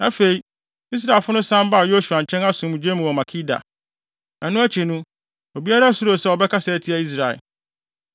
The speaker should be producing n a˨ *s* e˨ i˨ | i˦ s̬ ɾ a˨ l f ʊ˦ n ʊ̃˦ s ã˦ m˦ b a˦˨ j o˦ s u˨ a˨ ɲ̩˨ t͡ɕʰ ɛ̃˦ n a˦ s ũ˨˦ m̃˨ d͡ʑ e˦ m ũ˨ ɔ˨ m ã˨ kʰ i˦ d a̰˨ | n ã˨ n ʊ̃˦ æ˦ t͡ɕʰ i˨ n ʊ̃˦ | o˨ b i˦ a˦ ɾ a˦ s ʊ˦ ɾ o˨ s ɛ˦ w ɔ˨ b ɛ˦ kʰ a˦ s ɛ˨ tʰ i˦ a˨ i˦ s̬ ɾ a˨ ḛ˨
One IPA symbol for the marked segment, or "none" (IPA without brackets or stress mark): f